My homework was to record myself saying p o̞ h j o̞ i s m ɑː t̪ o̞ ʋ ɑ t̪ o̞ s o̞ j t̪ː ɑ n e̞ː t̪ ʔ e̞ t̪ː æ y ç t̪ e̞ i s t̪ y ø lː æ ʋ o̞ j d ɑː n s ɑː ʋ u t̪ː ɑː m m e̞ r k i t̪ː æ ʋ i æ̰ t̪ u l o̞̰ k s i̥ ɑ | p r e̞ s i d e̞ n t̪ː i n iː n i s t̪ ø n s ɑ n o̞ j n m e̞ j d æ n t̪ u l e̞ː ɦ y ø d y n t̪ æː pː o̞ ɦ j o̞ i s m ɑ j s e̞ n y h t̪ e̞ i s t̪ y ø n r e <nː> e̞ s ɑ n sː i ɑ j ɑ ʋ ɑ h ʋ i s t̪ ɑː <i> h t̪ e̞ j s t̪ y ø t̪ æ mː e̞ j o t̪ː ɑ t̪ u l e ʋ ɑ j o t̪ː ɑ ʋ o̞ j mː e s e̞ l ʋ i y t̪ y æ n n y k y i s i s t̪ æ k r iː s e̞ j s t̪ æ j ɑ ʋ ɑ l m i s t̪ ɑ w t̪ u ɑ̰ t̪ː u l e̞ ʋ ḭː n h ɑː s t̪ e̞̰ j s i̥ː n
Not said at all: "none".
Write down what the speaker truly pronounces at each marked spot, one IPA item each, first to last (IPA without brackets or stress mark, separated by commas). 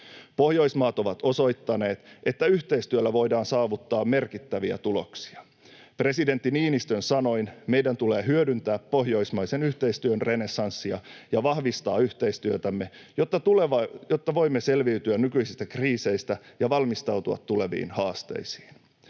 n, y